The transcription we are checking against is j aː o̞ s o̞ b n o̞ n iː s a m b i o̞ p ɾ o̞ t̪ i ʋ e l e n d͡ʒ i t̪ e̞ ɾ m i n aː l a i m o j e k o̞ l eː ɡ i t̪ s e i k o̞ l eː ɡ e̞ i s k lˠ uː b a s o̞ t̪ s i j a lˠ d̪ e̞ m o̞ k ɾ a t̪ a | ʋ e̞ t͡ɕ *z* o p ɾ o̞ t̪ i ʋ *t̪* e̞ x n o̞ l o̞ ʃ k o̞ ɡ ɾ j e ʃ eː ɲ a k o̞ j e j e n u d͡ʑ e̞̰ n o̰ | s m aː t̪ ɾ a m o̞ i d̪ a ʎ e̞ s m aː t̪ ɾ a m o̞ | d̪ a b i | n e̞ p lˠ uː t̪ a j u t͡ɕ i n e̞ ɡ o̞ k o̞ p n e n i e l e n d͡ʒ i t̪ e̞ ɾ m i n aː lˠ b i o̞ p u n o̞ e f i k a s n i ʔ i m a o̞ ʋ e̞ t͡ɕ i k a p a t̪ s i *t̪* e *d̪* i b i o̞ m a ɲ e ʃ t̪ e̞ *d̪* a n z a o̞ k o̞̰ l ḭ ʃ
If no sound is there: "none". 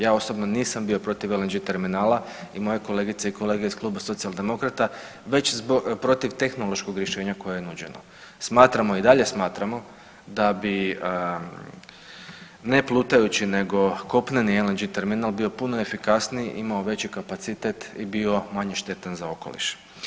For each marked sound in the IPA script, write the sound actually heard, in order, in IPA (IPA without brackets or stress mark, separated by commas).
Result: z, t̪, t̪, t̪, t̪